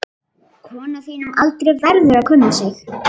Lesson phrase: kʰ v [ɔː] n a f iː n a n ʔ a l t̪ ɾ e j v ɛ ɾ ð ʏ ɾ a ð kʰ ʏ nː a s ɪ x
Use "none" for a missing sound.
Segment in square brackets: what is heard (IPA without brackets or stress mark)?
ɔː